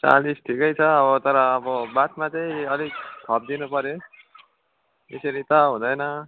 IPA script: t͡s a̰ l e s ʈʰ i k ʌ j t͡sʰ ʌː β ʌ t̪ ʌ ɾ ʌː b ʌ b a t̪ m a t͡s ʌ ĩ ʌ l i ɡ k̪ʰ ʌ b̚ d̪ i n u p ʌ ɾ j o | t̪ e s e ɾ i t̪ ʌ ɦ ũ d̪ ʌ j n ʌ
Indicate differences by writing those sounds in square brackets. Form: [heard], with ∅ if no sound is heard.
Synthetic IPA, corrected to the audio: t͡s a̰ l [i] s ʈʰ i k ʌ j t͡sʰ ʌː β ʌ t̪ ʌ ɾ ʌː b ʌ b a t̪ m a t͡s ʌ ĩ ʌ l i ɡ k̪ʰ ʌ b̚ d̪ i n u p ʌ ɾ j o | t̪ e s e ɾ i t̪ ʌ ɦ ũ d̪ ʌ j n ʌ

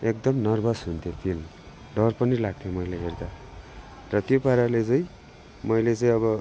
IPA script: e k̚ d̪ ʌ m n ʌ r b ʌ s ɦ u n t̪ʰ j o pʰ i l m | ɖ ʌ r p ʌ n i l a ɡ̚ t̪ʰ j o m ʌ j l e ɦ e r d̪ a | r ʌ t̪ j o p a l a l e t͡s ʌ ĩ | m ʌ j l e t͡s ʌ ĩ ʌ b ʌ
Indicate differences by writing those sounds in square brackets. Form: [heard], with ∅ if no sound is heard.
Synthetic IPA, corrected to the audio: e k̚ d̪ ʌ m n ʌ r b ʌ s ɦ u n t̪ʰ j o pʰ i l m | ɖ ʌ r p ʌ n i l a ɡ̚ t̪ʰ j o m ʌ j l e ɦ e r d̪ a | r ʌ t̪ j o p a [ɾ] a l e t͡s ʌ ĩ | m ʌ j l e t͡s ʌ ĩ ʌ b ʌ

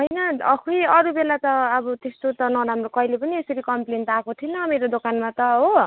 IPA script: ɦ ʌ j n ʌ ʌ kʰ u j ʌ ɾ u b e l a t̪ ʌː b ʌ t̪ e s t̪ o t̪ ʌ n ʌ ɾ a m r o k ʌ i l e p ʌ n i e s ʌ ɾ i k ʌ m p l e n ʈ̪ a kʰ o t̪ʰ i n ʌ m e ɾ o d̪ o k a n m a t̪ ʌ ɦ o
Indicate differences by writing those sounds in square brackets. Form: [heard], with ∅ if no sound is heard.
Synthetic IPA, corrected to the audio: ɦ ʌ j n ʌ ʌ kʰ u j ʌ ɾ u b e l a t̪ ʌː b ʌ t̪ e s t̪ o t̪ ʌ n ʌ ɾ a m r o k ʌ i l e p ʌ n i e s ʌ ɾ i k ʌ m p l e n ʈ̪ a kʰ o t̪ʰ i n ʌ m e ɾ o d̪ o k a n m a t̪ ʌ ɦ o

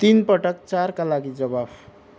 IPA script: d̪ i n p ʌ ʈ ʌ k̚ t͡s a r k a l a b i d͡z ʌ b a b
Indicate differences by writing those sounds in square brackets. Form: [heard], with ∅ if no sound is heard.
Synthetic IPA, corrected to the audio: [t̪] i n p ʌ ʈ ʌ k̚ t͡s a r k a l a [ɡ] i d͡z ʌ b a b

